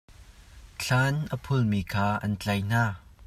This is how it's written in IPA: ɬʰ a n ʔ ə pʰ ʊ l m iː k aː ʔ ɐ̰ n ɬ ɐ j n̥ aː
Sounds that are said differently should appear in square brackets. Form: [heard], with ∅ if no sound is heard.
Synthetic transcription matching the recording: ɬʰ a n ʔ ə pʰ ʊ l m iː [kʰ] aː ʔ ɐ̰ n [t͡ɬ] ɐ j n̥ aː